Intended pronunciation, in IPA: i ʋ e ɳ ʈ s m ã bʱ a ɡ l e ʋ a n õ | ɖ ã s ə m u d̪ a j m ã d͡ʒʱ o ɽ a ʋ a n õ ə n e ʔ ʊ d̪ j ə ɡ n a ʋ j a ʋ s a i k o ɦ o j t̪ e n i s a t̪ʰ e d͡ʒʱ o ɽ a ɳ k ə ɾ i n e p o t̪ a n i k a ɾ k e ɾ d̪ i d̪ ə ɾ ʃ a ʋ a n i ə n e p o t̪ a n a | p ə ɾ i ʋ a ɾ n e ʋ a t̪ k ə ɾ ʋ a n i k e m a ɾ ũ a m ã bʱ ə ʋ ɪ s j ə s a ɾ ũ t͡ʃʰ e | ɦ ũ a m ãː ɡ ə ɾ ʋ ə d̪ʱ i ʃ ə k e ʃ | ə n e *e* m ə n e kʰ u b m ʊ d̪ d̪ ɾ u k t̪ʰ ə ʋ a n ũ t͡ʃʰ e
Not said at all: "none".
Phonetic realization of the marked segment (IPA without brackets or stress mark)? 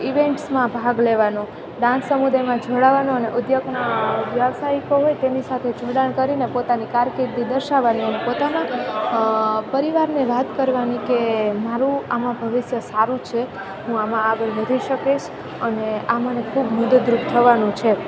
a